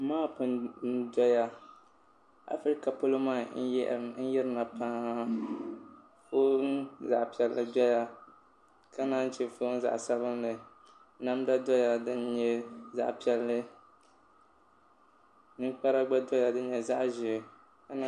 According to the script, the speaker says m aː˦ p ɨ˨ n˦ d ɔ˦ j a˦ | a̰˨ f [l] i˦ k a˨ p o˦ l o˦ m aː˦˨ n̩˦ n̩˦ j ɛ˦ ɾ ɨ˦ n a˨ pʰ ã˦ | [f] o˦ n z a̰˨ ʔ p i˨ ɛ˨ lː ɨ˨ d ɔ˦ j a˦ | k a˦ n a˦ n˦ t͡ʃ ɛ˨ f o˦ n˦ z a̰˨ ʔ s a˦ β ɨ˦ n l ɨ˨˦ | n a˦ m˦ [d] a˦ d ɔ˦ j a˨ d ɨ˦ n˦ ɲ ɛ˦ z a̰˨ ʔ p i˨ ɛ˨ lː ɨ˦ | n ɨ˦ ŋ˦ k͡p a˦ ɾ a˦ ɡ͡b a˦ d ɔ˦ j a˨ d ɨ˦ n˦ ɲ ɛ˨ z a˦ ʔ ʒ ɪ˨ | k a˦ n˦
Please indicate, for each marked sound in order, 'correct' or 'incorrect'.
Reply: incorrect, correct, correct

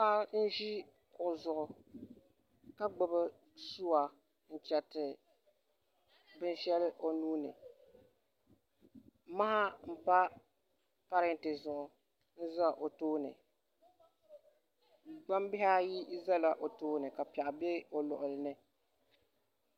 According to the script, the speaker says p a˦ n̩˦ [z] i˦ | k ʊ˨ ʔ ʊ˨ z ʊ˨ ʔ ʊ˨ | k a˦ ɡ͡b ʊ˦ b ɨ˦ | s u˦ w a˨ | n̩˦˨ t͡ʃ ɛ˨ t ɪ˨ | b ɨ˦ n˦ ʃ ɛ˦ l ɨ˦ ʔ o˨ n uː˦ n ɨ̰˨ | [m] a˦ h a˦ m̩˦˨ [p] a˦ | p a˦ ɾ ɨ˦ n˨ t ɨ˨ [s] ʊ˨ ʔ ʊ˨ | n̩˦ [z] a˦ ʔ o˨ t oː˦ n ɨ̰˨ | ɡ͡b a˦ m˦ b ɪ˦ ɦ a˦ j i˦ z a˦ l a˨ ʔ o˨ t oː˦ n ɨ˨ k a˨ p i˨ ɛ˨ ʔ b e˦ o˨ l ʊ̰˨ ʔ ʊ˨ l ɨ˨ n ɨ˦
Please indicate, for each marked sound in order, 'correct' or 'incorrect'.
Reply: incorrect, correct, correct, incorrect, correct

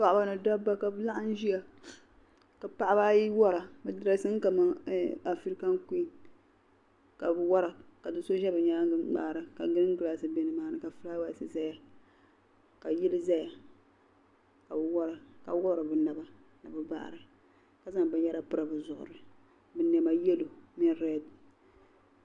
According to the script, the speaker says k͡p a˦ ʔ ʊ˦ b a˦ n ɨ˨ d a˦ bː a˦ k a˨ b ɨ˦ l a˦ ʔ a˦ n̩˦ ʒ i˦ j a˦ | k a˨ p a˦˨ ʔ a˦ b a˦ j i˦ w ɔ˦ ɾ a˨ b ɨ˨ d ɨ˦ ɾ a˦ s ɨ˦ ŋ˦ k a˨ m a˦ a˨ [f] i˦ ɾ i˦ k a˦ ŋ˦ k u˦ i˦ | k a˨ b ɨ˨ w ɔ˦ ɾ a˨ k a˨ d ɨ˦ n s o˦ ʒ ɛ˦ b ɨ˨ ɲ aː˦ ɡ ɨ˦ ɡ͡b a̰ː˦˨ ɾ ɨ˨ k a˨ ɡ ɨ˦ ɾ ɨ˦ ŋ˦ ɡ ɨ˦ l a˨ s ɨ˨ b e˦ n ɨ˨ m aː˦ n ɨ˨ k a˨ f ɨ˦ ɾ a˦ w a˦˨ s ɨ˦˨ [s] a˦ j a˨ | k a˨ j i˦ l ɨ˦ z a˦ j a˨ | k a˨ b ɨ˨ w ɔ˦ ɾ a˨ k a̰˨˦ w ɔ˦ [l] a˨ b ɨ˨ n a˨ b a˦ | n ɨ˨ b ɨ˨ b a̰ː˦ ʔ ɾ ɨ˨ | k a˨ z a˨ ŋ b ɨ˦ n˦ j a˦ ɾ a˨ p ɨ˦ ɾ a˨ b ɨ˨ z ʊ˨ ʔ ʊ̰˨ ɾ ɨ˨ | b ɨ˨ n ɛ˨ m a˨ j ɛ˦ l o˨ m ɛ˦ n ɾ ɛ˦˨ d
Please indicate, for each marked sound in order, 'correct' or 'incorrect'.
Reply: correct, incorrect, incorrect

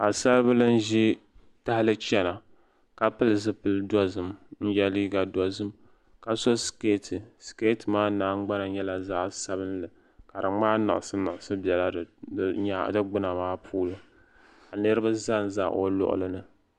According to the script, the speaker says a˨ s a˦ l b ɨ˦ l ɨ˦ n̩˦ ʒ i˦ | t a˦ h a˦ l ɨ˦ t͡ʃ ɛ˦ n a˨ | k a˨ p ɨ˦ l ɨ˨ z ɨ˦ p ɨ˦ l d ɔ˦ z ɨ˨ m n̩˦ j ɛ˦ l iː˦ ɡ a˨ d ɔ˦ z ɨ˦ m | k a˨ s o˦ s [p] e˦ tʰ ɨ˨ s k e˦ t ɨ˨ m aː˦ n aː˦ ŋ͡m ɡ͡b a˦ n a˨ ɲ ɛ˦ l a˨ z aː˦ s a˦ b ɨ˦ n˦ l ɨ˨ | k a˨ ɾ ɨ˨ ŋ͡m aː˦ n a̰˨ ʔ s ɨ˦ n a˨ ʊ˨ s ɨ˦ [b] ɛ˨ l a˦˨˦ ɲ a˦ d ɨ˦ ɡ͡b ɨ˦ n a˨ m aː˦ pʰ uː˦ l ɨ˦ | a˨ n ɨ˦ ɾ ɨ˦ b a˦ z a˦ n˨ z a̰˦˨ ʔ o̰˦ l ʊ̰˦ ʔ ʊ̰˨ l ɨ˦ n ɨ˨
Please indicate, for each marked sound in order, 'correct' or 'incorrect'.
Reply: incorrect, correct

